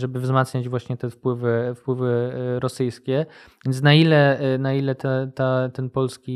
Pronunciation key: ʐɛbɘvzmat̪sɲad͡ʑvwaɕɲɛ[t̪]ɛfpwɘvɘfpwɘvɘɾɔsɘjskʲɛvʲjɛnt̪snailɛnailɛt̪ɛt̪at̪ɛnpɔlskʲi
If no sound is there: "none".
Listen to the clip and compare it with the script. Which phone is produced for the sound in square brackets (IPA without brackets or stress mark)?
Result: t̪